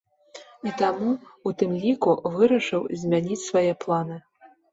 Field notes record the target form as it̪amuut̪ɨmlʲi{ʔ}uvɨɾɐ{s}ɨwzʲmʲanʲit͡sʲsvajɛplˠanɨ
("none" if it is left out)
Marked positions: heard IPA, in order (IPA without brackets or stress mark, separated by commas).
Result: k, ʂ